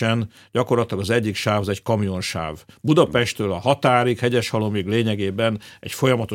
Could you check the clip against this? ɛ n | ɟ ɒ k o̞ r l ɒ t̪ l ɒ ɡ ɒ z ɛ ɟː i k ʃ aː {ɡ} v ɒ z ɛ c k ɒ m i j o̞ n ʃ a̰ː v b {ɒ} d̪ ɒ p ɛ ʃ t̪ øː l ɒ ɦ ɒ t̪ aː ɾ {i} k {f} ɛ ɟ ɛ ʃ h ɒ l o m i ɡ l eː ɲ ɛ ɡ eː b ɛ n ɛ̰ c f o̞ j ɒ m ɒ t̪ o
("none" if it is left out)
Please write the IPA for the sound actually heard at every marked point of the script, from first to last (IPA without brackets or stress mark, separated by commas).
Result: none, u, i, h